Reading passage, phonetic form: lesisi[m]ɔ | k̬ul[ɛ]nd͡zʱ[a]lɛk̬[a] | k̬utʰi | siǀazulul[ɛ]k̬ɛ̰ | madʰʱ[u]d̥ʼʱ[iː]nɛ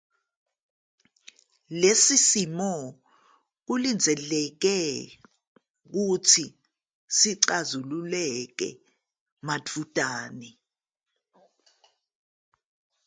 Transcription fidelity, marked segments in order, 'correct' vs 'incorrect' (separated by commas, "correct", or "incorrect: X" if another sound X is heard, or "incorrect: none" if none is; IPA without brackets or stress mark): correct, incorrect: i, incorrect: ɛ, incorrect: ɛ, correct, correct, incorrect: aː